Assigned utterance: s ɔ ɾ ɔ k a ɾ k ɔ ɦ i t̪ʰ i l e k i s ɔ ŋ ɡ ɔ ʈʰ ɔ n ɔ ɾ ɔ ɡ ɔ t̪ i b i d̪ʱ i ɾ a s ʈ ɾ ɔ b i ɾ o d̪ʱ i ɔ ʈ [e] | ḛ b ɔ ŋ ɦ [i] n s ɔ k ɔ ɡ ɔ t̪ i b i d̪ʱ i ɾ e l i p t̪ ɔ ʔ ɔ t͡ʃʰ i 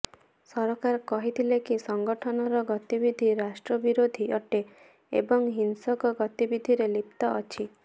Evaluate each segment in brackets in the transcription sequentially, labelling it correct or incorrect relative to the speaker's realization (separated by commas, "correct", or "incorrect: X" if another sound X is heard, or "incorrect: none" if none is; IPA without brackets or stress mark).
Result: correct, correct